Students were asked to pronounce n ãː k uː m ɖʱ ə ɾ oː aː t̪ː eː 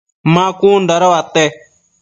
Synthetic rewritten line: m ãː k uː n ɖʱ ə ɾ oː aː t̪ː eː